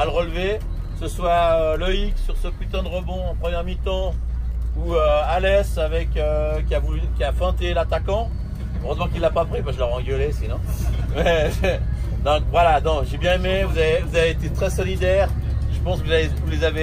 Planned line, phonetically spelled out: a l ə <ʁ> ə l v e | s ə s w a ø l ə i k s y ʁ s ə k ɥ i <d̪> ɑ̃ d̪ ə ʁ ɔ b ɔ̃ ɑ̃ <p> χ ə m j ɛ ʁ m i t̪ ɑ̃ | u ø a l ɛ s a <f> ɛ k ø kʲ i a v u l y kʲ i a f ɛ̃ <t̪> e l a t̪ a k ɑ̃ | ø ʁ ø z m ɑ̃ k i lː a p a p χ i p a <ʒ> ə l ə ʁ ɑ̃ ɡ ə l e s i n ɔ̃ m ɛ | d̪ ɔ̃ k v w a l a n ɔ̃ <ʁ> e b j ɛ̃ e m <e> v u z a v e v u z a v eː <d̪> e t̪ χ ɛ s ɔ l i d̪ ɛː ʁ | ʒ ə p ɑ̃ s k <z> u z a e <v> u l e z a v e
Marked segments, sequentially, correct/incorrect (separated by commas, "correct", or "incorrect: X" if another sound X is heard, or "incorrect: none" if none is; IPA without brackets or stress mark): correct, incorrect: t̪, correct, incorrect: v, correct, correct, incorrect: ʒ, correct, incorrect: t̪, incorrect: v, correct